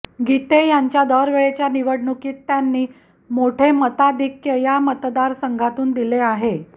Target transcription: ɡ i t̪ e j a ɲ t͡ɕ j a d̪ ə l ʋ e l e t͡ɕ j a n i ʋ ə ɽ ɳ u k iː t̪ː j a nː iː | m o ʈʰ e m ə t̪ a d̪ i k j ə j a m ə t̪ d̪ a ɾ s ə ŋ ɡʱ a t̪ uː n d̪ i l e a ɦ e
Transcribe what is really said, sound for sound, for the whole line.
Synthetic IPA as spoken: ɡ i t̪ e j a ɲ t͡ɕ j a d̪ ə ɾ ʋ e ɭ e t͡ɕ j a n i ʋ ə ɽ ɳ u k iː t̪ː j a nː iː | m o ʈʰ e m ə t̪ a d̪ i k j ə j a m ə t̪ d̪ a ɾ s ə ŋ ɡʱ a t̪ uː n d̪ i l e a ɦ e